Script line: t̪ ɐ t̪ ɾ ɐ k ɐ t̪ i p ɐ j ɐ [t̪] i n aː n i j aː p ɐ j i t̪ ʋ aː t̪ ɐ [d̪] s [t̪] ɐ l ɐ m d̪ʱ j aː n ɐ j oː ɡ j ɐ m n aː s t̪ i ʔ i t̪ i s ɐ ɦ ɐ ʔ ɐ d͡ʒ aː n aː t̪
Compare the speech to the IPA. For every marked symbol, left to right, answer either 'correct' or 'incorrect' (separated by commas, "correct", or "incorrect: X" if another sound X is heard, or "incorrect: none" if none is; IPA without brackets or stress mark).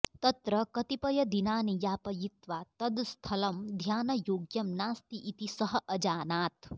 incorrect: d̪, correct, incorrect: t̪ʰ